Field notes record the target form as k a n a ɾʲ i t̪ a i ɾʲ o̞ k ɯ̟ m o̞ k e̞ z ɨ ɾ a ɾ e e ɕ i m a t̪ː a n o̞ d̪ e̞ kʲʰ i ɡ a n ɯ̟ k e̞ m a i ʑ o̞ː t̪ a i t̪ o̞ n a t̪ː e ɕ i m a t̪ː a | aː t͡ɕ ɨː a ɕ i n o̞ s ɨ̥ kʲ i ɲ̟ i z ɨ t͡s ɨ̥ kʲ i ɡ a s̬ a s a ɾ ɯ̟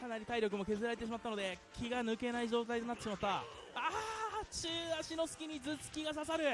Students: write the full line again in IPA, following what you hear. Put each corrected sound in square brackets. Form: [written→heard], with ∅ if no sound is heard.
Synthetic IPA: k a n a ɾʲ i t̪ a i ɾʲ o̞ k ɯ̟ m o̞ k e̞ z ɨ ɾ a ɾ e e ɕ i m a t̪ː a n o̞ d̪ e̞ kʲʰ i ɡ a n ɯ̟ k e̞ [m→n] a i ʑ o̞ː t̪ a i t̪ o̞ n a t̪ː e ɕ i m a t̪ː a | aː t͡ɕ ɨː a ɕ i n o̞ s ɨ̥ kʲ i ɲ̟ i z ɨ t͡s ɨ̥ kʲ i ɡ a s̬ a s a ɾ ɯ̟